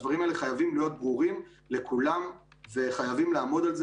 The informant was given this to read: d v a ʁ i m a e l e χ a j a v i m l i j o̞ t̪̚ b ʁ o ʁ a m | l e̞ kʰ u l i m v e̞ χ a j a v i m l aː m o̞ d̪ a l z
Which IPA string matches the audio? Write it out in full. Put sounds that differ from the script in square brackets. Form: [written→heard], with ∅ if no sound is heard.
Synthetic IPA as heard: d v a ʁ i m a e l e χ a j a v i m l i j o̞ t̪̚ b ʁ [o→u] ʁ [a→i] m | l e̞ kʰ u l [i→a] m v e̞ χ a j a v i m l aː m o̞ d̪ a l z